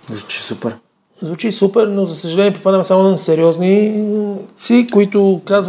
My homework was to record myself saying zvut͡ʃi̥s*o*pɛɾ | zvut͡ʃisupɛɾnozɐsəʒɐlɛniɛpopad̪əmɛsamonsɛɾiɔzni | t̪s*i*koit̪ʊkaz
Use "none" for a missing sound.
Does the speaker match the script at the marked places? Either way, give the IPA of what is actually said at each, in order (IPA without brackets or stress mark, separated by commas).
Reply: u, i